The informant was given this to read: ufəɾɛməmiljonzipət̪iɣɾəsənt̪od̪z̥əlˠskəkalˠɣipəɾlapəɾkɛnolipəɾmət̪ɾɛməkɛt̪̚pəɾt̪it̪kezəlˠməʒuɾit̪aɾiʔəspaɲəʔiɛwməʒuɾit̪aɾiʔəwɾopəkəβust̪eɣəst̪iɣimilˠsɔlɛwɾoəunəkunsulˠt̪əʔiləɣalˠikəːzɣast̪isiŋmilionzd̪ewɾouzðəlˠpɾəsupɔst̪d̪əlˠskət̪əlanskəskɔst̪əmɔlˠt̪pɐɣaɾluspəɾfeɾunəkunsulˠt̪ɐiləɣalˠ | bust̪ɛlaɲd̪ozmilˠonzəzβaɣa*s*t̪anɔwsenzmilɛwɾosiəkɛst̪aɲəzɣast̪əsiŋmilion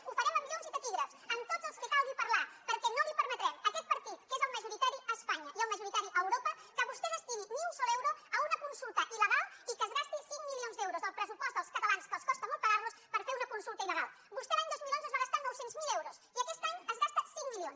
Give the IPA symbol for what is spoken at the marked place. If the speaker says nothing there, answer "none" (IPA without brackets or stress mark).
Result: s